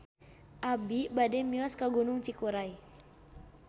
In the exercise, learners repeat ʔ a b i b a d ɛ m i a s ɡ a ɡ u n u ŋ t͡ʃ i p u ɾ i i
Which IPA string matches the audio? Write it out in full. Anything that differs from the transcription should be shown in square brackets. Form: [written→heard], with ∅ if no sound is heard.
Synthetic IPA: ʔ a b i b a d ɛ m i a s [ɡ→k] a ɡ u n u ŋ t͡ʃ i [p→k] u ɾ [i→a] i